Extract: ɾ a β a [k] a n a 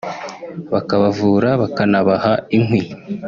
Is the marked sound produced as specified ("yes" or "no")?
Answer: yes